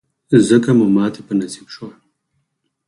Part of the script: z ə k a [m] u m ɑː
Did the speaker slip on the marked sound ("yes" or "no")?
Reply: no